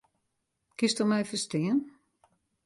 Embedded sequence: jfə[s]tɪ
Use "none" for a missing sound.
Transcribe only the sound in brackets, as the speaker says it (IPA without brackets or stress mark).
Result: s